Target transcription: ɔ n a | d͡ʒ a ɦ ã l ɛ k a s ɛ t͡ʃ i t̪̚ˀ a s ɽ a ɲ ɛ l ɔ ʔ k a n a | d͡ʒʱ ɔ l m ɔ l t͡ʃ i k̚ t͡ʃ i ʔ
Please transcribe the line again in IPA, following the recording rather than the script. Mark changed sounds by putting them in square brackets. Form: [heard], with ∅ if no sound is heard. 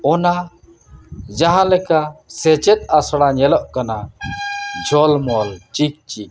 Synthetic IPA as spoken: ɔ n a | d͡ʒ a ɦ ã l ɛ k a s ɛ t͡ʃ [ɛ] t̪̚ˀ a s ɽ a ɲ ɛ l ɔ ʔ k a n a | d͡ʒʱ ɔ l m ɔ l t͡ʃ i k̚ t͡ʃ i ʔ

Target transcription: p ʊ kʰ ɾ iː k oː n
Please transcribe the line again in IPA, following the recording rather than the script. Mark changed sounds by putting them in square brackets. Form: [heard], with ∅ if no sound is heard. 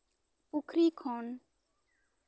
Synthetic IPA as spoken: p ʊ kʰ ɾ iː [kʰ] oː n

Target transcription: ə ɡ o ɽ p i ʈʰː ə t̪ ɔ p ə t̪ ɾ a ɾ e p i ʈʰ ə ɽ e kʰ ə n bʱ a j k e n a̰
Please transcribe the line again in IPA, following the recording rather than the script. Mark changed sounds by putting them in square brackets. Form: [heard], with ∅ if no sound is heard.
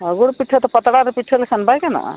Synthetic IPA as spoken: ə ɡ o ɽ p i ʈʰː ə t̪ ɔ p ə t̪ [ɽ] a ɾ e p i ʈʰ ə [l] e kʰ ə n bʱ a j k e n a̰

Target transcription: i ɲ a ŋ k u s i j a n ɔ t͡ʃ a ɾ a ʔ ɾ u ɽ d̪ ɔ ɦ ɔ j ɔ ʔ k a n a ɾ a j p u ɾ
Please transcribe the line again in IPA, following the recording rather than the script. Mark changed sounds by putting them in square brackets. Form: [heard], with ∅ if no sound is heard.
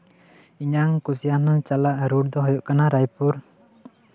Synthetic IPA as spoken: i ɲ a ŋ k u s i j a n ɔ t͡ʃ a [l] a ʔ ɾ u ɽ d̪ ɔ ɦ ɔ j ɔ ʔ k a n a ɾ a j p u ɾ

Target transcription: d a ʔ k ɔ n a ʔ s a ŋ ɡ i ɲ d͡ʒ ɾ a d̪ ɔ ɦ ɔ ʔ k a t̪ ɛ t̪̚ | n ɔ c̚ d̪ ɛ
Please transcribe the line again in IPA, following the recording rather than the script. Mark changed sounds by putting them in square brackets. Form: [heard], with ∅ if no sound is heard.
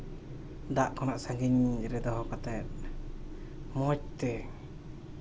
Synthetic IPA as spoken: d a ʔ k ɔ n a ʔ s a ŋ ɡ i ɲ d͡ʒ ɾ [ɛ] d̪ ɔ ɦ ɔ [∅] k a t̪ ɛ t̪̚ | [m] ɔ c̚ [t̪] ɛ

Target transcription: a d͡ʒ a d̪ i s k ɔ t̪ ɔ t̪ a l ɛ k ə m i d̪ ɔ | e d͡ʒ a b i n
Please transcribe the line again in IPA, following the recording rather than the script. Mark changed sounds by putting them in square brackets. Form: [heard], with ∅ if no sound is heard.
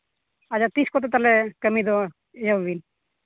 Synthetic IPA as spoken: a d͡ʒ a [t̪] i s k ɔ t̪ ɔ t̪ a l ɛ k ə m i d̪ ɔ | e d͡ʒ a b i n

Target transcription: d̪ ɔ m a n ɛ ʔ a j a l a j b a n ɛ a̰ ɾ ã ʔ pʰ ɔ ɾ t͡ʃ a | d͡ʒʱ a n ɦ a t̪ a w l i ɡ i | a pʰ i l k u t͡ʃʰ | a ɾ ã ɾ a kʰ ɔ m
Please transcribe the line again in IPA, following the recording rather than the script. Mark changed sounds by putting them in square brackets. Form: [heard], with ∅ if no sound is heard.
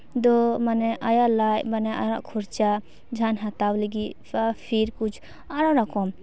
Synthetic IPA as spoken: d̪ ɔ m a n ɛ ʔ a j a l a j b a n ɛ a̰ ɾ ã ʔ [kʰ] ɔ ɾ t͡ʃ a | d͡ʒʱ a n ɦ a t̪ a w l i ɡ i | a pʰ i [ɾ] k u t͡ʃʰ | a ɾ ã ɾ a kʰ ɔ m

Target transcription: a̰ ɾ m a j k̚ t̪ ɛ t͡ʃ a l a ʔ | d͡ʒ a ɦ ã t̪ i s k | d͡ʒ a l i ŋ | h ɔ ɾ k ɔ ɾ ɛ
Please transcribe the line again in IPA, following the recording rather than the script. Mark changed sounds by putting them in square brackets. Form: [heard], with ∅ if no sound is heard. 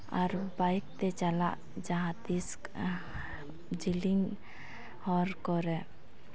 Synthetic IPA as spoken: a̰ ɾ [b] a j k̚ t̪ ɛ t͡ʃ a l a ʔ | d͡ʒ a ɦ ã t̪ i s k | d͡ʒ [i] l i ŋ | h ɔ ɾ k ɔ ɾ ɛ

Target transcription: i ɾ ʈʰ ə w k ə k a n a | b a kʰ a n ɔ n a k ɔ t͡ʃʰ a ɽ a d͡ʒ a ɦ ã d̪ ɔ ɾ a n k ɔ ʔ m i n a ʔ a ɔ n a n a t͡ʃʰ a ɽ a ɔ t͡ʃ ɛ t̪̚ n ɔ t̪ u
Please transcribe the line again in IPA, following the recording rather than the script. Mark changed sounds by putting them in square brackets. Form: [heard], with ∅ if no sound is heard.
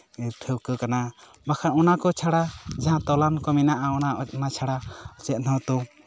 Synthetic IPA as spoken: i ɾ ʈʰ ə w k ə k a n a | b a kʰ a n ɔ n a k ɔ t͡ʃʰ a ɽ a d͡ʒ a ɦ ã [t̪] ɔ [l] a n k ɔ [∅] m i n a ʔ a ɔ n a n a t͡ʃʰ a ɽ a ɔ t͡ʃ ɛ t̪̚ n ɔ t̪ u

